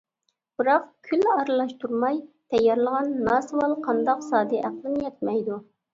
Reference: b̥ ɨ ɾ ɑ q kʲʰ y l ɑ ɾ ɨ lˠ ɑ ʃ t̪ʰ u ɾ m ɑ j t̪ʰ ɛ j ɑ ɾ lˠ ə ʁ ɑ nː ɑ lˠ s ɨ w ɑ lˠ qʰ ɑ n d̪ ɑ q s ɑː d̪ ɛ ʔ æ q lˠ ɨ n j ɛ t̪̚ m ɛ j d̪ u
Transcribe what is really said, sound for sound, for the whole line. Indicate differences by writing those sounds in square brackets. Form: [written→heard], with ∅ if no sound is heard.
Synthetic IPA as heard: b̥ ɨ ɾ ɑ q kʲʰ y l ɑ ɾ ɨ lˠ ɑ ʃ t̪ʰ u ɾ m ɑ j t̪ʰ ɛ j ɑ ɾ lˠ ə ʁ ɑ nː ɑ [lˠ→∅] s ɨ w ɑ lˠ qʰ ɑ n d̪ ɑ q s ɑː d̪ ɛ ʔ æ q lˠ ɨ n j ɛ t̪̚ m ɛ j d̪ u